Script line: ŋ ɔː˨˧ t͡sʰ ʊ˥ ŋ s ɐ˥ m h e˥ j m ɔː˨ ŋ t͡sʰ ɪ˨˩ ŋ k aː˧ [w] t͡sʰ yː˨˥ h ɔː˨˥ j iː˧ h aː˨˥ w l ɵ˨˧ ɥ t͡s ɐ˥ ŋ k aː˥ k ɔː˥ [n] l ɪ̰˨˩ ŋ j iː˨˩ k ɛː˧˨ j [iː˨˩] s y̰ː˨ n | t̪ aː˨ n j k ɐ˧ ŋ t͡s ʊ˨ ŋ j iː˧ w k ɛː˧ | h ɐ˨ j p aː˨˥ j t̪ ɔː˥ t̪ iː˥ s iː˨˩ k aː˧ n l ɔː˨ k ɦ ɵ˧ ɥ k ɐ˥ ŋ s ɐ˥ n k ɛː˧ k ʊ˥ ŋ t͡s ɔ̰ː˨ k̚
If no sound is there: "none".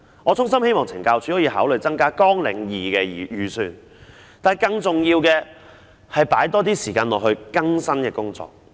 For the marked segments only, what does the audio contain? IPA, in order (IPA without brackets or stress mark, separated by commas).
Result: w, ŋ, yː˨˩